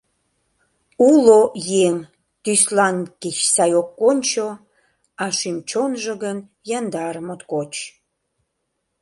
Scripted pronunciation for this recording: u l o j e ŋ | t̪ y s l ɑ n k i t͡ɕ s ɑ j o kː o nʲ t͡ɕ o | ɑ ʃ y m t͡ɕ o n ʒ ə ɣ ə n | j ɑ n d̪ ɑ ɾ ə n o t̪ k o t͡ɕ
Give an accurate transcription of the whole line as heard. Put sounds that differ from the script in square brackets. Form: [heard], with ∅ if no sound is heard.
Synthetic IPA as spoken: u l o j e ŋ | t̪ y s l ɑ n k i t͡ɕ s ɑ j o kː o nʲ t͡ɕ o | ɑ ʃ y m t͡ɕ o n ʒ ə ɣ ə n | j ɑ n d̪ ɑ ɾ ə [m] o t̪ k o t͡ɕ